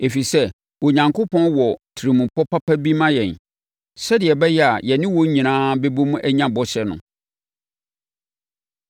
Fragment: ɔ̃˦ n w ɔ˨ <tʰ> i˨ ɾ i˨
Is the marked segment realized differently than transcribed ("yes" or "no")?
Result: no